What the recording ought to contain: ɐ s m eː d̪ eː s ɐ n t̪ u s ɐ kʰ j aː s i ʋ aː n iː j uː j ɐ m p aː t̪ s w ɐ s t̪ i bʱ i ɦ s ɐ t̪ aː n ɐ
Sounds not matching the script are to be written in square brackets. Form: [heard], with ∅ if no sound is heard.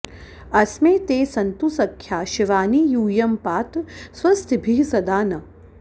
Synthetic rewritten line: ɐ s m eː [t̪] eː s ɐ n t̪ u s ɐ kʰ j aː [ʃ] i ʋ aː n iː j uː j ɐ m p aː t̪ s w ɐ s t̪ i bʱ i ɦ s ɐ [d̪] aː n ɐ